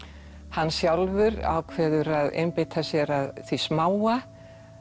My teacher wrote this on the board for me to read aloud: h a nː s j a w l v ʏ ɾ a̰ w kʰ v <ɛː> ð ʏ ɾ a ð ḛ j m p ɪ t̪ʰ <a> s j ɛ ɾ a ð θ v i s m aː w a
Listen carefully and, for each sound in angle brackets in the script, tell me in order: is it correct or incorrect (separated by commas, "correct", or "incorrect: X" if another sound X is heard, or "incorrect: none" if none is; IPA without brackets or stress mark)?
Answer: correct, correct